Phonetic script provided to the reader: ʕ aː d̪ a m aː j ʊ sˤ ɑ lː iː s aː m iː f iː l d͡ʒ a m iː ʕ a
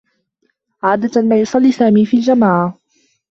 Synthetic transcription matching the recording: ʕ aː d̪ a m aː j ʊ sˤ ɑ lː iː s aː m iː f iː l d͡ʒ a m aː ʕ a